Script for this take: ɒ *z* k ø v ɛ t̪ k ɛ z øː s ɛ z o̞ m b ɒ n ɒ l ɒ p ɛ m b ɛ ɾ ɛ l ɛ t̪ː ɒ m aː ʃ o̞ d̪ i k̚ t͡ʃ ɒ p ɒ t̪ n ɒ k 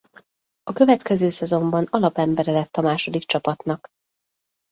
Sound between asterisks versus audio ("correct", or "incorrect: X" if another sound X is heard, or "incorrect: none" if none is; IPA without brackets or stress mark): incorrect: none